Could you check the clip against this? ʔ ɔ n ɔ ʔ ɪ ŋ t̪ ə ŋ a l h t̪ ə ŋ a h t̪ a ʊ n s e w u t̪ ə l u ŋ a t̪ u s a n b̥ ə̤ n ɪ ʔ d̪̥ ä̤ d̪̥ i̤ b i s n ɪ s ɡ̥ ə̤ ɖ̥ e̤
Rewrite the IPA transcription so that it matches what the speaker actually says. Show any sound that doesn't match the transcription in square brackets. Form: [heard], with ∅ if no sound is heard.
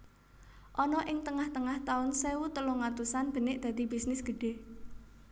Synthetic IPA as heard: ʔ ɔ n ɔ ʔ ɪ ŋ t̪ ə ŋ a [∅] h t̪ ə ŋ a h t̪ a ʊ n s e w u t̪ ə l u ŋ a t̪ u s a n b̥ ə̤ n ɪ ʔ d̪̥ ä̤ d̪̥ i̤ b i s n ɪ s ɡ̥ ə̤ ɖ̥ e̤